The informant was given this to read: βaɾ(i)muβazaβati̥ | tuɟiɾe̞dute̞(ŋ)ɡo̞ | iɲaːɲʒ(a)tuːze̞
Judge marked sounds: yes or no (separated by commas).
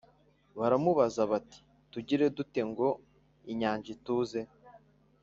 no, yes, no